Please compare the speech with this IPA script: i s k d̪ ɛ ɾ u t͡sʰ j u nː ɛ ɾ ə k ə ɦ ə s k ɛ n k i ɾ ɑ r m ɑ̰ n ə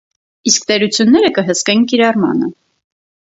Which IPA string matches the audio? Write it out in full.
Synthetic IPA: i s k t̪ ɛ ɾ u t͡sʰ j u nː ɛ ɾ ə k ə ɦ ə s k ɛ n k i ɾ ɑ r m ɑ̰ n ə